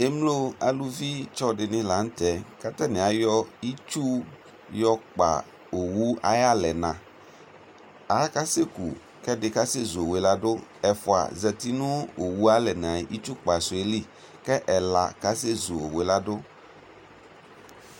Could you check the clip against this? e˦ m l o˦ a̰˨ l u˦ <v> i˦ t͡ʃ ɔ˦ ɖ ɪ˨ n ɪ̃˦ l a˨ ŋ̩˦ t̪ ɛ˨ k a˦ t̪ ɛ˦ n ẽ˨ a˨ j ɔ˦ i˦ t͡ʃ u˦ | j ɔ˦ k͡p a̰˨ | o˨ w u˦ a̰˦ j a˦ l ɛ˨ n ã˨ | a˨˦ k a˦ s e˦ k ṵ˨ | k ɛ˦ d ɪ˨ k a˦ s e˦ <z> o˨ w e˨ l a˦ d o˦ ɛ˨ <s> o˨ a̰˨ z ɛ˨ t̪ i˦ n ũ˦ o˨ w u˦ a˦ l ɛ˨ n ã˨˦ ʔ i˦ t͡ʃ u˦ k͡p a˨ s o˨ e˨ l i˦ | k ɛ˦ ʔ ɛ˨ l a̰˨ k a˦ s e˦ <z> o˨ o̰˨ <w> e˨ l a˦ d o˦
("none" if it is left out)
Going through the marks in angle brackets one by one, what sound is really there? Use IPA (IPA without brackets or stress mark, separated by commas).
v, z, f, z, w